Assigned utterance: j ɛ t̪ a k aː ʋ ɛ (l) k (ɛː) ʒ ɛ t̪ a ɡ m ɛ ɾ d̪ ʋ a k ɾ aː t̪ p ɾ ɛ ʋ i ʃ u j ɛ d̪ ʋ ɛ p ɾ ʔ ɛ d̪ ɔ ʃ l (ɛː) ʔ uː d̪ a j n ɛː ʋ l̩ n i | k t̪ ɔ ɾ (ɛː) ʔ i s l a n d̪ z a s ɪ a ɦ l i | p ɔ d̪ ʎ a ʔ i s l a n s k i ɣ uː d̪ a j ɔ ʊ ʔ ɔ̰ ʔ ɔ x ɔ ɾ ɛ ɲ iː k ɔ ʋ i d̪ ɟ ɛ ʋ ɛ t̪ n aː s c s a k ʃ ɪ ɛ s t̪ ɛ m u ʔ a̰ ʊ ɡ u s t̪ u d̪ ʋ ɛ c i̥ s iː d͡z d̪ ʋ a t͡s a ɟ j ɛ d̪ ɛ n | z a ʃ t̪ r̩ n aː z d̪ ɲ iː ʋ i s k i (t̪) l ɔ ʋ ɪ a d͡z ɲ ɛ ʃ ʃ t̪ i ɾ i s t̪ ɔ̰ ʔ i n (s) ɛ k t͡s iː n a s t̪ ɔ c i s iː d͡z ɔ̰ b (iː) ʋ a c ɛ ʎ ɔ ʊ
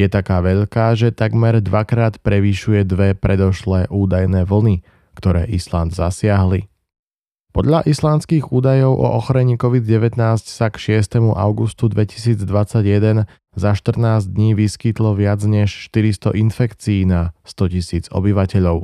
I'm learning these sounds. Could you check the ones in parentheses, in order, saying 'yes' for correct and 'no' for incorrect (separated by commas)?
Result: no, no, yes, yes, yes, no, no